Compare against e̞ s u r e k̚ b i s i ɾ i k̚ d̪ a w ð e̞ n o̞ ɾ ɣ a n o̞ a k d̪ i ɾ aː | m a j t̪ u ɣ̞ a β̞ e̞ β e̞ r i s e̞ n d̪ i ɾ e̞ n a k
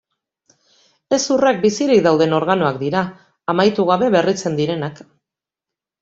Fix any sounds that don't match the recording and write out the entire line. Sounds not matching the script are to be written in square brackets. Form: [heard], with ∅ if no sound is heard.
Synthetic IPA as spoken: e̞ s u r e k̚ b i s i ɾ i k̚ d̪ a w ð e̞ n o̞ ɾ ɣ a n o̞ a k d̪ i ɾ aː | m a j t̪ u ɣ̞ a β̞ e̞ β e̞ r i [t͡s] e̞ n d̪ i ɾ e̞ n a k

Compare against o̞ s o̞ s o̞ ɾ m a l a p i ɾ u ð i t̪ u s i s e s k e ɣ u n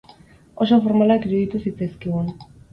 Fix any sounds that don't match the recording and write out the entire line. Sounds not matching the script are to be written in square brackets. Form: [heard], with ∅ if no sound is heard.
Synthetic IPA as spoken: o̞ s o̞ [f] o̞ ɾ m a l a [k] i ɾ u ð i t̪ u s i [t͡s] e s k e ɣ u n

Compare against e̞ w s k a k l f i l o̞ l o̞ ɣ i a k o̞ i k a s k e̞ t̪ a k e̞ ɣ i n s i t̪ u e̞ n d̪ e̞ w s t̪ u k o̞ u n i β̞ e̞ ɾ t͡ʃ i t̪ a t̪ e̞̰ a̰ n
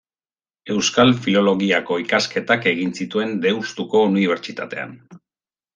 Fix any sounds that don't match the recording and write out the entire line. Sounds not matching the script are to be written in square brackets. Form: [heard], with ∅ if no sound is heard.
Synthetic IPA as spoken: e̞ w s k a [∅] l f i l o̞ l o̞ ɣ i a k o̞ i k a s k e̞ t̪ a k e̞ ɣ i n s i t̪ u e̞ n d̪ e̞ w s t̪ u k o̞ u n i β̞ e̞ ɾ t͡ʃ i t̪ a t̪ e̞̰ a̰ n

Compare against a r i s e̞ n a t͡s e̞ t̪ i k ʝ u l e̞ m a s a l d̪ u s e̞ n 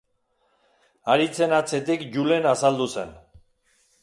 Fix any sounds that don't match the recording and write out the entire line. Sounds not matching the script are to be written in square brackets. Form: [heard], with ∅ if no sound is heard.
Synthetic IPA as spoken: a [ɾ] i [t͡s] e̞ n a t͡s e̞ t̪ i k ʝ u l e̞ [n] a s a l d̪ u s e̞ n

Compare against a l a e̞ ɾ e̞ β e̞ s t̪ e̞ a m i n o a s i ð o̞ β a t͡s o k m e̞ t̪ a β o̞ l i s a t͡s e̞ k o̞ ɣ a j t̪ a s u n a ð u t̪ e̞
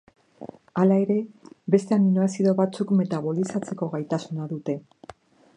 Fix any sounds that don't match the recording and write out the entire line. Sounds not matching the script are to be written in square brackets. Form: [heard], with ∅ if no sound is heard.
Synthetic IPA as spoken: a l a e̞ ɾ e̞ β e̞ s t̪ e̞ a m i n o a s i ð o̞ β a t͡s [u] k m e̞ t̪ a β o̞ l i s a t͡s e̞ k o̞ ɣ a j t̪ a s u n a ð u t̪ e̞

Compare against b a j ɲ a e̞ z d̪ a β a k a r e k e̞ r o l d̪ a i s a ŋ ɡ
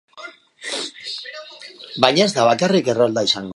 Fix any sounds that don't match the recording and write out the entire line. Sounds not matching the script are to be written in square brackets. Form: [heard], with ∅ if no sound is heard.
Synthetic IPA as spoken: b a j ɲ a e̞ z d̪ a β a k a r [i] k e̞ r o l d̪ a i s a ŋ ɡ

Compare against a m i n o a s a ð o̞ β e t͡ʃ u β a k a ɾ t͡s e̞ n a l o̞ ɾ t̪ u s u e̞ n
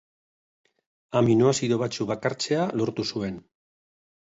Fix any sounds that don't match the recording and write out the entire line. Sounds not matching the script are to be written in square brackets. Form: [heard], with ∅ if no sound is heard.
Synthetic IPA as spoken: a m i n o a s [i] ð o̞ β [a] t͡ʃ u β a k a ɾ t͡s e̞ [∅] a l o̞ ɾ t̪ u s u e̞ n

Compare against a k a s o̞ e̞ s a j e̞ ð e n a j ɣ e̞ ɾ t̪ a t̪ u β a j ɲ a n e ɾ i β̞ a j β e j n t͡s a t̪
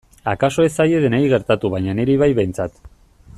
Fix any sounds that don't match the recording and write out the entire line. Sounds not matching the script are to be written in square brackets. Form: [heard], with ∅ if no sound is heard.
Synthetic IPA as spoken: a k a s o̞ e̞ s a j e̞ ð e n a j ɣ e̞ ɾ t̪ a t̪ u β a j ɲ a n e ɾ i β̞ a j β e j n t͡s a t̪

